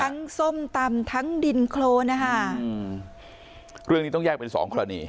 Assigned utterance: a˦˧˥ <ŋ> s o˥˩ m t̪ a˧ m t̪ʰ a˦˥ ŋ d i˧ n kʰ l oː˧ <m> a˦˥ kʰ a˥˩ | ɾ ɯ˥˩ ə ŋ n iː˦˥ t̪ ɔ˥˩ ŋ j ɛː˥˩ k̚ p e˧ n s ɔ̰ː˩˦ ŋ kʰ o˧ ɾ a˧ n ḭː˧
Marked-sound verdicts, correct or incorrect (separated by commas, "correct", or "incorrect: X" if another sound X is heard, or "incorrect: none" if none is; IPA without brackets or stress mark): correct, incorrect: n